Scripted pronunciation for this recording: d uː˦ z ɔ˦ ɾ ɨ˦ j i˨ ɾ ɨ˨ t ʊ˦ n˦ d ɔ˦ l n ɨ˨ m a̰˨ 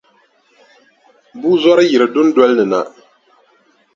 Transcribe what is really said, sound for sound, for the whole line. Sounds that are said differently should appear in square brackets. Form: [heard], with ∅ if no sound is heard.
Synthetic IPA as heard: [b] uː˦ z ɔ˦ ɾ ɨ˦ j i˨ ɾ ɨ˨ [d] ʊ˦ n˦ d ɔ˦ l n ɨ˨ [n] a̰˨